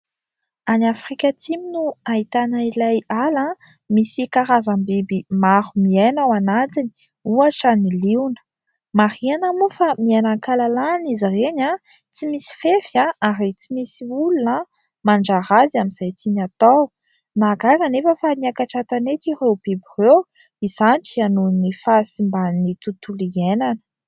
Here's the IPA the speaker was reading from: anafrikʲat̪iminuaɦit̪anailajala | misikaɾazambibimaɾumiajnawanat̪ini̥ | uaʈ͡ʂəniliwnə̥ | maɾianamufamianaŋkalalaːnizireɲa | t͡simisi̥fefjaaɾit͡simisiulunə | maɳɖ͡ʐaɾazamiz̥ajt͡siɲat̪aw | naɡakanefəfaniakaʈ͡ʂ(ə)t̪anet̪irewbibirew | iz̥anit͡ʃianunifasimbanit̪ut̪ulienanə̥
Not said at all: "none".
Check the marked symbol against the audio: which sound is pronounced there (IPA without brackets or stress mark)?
a